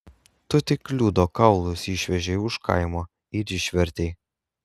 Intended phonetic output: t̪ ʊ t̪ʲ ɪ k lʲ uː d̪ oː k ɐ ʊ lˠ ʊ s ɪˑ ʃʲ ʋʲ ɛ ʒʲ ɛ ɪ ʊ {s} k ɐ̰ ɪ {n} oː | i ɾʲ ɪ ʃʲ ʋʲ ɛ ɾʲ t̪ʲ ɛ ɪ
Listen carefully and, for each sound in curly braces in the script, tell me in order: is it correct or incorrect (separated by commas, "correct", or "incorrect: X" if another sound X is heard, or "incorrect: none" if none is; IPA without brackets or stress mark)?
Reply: incorrect: ʃ, incorrect: m